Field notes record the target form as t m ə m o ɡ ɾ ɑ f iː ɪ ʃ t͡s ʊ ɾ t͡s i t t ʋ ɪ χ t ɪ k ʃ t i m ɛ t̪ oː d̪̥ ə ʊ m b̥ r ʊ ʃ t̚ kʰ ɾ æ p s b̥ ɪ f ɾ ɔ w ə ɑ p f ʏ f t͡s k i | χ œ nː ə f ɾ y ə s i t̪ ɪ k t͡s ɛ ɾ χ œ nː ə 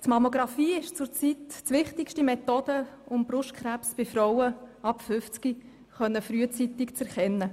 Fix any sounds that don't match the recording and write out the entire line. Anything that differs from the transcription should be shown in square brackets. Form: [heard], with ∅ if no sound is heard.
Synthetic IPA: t m [ɑ] m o ɡ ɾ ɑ f iː ɪ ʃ t͡s ʊ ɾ t͡s i t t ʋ ɪ χ t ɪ k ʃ t i m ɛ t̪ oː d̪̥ ə ʊ m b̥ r ʊ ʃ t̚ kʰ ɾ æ p s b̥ ɪ f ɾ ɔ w ə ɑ p f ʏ f t͡s k i | χ œ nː ə f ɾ y ə [t͡s] i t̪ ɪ k t͡s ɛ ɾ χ [ɛ] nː ə